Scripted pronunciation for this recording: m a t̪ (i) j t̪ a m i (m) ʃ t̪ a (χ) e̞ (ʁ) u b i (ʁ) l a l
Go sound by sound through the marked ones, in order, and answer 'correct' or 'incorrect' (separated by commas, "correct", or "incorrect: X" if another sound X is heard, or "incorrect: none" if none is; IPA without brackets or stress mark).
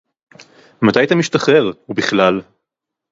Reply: incorrect: a, incorrect: none, correct, correct, incorrect: χ